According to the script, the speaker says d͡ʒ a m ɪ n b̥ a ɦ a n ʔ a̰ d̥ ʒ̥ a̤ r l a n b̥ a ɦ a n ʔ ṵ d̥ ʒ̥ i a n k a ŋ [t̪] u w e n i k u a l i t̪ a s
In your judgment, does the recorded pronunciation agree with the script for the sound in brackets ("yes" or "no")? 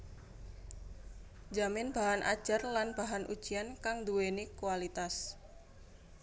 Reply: no